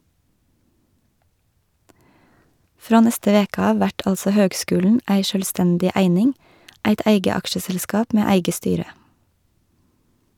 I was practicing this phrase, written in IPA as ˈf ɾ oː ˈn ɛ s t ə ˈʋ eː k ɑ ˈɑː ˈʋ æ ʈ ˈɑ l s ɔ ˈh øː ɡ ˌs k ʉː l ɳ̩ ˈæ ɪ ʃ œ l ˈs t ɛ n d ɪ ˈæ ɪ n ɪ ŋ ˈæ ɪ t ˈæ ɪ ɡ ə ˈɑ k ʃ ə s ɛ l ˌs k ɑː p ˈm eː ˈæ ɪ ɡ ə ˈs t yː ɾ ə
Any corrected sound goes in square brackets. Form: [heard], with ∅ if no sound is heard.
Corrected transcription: ˈf ɾ oː ˈn ɛ s t ə ˈʋ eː k ɑ ˈɑː ˈʋ æ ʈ ˈɑ l s ɔ ˈh øː ɡ ˌs k ʉː l ɳ̩ ˈæ ɪ ʃ œ l ˈs t ɛ n d ɪ ˈæ ɪ n ɪ ŋ ˈæ ɪ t ˈæ ɪ ɡ ə ˈɑ k ʃ ə s ɛ l ˌs k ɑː p ˈm eː ˈæ ɪ ɡ ə ˈs t yː ɾ ə